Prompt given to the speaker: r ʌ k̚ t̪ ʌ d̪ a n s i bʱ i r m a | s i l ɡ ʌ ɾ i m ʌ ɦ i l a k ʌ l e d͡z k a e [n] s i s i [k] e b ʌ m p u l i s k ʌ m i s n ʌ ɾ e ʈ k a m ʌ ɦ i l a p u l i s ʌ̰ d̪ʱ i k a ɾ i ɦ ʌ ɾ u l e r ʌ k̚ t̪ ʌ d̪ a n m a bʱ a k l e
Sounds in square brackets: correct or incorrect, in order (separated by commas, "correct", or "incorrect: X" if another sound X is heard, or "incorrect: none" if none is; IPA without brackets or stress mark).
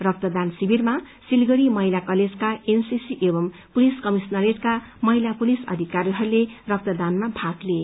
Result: correct, incorrect: ʔ